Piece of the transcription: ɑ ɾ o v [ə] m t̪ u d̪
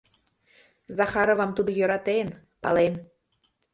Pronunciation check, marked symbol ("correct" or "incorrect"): incorrect